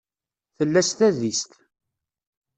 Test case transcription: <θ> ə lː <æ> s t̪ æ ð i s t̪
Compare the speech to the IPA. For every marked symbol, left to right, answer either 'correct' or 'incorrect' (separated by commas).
correct, correct